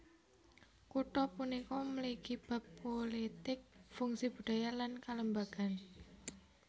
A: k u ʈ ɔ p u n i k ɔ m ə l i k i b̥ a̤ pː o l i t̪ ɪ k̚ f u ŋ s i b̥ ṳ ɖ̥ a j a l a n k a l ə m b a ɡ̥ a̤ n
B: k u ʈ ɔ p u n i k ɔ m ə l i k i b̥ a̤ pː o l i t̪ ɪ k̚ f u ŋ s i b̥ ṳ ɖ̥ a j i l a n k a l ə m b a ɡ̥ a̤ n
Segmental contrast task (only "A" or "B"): A